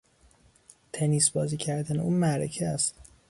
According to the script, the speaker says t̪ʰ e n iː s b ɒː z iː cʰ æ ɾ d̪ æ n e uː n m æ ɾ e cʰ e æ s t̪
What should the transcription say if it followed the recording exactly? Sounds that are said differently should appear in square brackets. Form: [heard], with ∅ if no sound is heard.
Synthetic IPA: t̪ʰ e n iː s b ɒː z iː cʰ æ ɾ d̪ æ n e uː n m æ ɾ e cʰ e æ s t̪